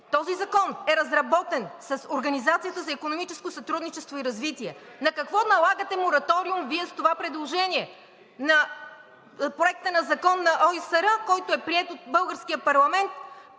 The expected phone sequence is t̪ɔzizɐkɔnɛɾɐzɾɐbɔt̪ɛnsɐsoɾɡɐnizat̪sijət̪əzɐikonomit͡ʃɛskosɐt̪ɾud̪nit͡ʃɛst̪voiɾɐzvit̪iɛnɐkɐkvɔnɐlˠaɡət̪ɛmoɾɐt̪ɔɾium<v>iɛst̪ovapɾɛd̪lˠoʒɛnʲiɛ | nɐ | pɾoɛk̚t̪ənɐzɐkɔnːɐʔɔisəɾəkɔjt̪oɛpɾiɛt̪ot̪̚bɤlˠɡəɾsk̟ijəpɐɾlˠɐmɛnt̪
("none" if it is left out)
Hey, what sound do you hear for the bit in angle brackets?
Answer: v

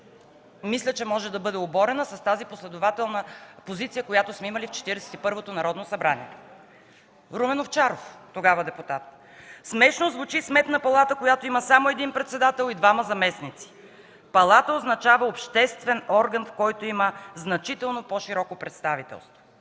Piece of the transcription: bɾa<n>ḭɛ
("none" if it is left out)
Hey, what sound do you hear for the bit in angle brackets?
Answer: n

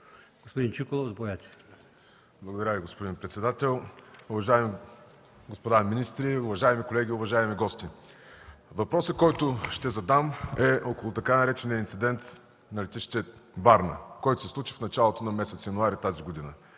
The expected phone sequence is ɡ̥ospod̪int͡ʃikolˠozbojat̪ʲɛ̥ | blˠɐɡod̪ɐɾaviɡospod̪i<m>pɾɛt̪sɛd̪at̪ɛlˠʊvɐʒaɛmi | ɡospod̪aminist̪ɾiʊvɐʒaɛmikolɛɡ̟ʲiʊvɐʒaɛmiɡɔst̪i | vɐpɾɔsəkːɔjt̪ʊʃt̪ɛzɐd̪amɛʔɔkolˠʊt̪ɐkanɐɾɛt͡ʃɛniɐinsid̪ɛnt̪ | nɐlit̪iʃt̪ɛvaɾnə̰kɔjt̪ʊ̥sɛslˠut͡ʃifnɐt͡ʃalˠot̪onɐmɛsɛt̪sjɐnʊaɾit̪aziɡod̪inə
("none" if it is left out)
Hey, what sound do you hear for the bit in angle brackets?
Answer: n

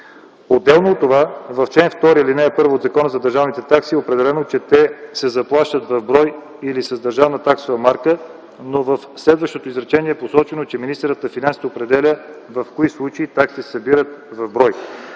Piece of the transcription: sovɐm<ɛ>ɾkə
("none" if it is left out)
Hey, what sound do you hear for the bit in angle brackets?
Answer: a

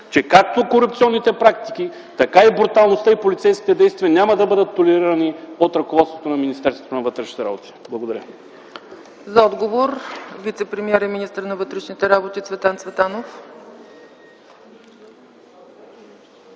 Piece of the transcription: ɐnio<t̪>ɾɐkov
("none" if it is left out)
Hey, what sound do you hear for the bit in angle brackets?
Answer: t̪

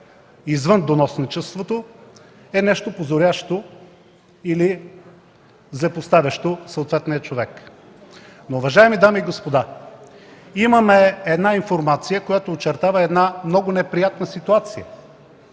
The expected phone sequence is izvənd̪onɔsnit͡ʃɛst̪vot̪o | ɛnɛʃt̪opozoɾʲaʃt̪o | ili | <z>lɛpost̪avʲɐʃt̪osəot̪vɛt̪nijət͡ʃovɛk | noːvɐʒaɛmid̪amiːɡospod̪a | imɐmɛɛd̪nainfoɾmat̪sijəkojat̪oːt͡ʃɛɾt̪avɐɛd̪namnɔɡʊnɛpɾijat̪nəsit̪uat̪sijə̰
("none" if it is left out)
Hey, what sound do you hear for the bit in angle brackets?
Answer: z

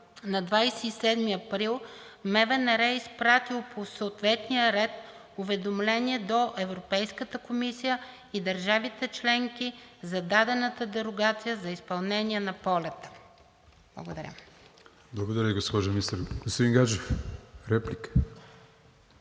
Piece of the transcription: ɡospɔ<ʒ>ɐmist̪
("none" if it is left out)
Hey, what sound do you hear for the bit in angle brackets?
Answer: ʒ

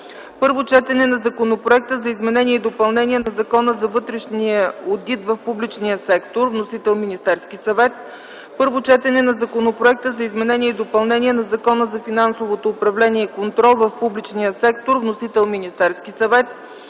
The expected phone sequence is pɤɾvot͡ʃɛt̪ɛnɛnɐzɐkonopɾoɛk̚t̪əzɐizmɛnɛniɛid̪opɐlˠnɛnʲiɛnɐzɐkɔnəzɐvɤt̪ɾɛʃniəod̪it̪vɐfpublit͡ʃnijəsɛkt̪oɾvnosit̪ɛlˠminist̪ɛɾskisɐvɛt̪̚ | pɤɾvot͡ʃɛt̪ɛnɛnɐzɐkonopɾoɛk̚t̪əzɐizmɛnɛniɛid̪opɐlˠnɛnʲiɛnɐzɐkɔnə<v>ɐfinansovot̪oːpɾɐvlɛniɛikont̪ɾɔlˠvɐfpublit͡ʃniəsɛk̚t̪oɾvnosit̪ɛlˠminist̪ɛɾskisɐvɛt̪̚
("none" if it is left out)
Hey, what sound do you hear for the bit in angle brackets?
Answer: z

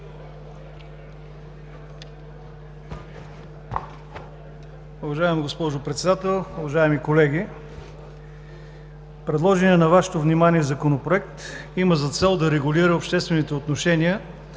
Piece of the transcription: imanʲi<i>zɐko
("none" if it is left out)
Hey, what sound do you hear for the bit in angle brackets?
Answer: ɛ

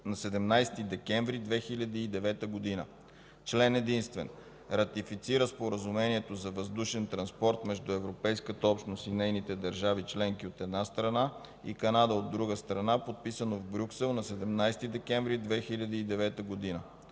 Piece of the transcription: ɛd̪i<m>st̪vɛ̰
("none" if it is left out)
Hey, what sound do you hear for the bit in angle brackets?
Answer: n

